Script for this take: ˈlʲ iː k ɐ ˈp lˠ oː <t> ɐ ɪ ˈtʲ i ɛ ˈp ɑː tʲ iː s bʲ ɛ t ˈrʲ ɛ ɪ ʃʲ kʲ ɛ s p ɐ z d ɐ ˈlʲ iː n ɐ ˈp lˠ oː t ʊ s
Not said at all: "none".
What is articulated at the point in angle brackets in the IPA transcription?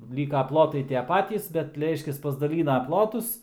t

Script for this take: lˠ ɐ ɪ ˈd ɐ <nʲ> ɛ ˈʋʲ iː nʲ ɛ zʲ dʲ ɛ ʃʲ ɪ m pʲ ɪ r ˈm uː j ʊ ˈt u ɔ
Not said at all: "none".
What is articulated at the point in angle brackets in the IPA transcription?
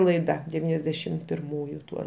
dʲ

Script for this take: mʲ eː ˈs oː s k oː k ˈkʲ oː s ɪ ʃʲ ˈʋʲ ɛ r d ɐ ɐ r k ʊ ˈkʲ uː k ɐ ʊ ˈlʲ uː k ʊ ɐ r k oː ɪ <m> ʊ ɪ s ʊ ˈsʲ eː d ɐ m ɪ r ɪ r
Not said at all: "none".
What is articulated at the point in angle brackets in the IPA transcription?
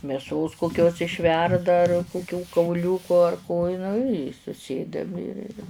n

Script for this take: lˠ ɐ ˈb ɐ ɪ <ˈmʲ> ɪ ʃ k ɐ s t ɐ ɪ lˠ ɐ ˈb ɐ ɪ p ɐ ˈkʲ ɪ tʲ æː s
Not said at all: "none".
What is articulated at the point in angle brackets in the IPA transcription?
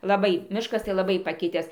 mʲ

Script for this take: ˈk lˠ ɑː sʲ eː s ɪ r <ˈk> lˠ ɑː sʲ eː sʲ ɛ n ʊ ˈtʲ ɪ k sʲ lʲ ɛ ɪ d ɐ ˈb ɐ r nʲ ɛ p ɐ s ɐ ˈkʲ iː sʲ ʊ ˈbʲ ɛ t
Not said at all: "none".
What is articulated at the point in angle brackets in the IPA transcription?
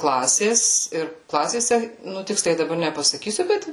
k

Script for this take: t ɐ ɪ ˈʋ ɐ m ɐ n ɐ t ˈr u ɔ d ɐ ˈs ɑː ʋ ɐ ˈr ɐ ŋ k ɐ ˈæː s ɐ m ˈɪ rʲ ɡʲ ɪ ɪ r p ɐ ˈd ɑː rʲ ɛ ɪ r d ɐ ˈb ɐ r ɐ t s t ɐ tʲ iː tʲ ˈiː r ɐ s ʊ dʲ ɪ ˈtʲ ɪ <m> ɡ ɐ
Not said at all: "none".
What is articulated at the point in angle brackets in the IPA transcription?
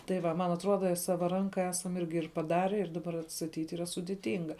ŋ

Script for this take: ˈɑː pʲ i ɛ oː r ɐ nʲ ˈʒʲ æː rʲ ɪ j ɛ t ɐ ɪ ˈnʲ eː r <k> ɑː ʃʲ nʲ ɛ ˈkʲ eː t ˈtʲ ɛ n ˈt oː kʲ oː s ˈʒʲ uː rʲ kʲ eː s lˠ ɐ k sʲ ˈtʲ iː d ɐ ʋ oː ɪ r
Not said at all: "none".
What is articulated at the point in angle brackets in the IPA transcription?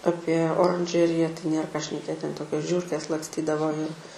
k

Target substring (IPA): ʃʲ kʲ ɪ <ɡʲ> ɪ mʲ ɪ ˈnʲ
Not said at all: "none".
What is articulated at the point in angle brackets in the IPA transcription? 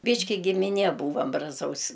ɡʲ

